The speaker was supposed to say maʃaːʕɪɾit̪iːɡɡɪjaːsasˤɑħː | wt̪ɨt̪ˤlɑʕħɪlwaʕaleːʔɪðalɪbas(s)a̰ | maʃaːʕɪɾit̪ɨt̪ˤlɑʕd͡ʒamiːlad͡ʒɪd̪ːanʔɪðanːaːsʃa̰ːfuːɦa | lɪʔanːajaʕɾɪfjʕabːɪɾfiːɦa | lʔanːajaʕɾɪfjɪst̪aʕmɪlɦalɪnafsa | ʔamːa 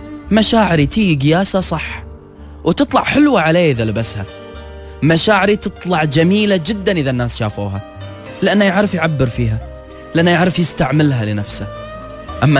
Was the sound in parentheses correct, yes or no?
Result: no